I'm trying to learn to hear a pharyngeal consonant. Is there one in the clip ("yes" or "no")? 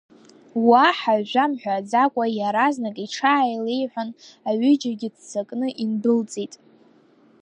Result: yes